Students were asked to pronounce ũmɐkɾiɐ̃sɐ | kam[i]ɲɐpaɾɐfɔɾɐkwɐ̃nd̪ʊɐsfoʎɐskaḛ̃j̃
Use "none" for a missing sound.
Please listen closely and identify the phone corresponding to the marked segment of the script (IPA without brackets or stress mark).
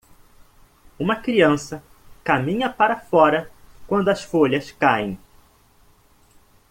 ĩ